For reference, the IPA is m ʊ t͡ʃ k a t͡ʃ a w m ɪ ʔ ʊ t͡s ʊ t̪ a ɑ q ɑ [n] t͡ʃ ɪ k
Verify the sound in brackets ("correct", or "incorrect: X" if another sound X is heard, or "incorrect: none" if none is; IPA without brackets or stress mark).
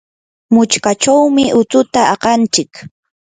correct